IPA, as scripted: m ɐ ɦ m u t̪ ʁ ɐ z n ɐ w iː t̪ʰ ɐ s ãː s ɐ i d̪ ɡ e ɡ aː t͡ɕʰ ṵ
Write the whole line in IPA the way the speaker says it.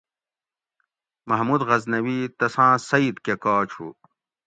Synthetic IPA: m ɐ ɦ m u d̪ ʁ ɐ z n ɐ w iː t̪ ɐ s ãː s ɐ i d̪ k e k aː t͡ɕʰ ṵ